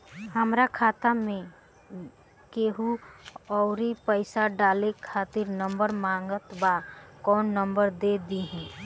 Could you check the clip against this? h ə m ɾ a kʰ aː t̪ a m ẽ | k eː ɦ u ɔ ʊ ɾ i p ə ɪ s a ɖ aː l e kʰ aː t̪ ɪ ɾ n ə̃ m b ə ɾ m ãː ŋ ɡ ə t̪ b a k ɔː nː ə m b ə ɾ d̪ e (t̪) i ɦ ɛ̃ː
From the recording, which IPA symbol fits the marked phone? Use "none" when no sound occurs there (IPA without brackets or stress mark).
d̪